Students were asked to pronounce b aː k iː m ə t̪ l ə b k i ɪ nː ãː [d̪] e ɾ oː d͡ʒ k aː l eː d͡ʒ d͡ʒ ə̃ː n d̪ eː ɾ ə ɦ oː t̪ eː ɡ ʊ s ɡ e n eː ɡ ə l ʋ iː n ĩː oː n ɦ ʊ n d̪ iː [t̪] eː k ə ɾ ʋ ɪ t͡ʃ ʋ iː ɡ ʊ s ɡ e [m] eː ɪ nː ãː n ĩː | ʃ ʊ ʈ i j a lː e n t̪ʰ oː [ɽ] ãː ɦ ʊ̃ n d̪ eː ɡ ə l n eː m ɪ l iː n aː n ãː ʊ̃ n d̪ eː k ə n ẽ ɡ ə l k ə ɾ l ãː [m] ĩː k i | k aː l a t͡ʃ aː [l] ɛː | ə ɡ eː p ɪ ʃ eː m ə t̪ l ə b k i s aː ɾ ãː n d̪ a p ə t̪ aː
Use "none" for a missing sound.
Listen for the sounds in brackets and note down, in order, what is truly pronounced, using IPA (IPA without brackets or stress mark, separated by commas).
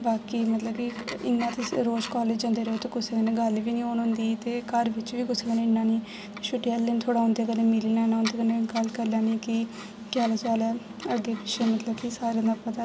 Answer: t̪, t̪, n, ɽ, n, l